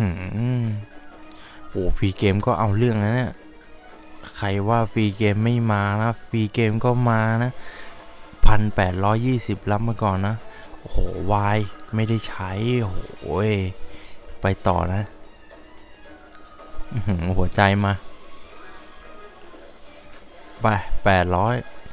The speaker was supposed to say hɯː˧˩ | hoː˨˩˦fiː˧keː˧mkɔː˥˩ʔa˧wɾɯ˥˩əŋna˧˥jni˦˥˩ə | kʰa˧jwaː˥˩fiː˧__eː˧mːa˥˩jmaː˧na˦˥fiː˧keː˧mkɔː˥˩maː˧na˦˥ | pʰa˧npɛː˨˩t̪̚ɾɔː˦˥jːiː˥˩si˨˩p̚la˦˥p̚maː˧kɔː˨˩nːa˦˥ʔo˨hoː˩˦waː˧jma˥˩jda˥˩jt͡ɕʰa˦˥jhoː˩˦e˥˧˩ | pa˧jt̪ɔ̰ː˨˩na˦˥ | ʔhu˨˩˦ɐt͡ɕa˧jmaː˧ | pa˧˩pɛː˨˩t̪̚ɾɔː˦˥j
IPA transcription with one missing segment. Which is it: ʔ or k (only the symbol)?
k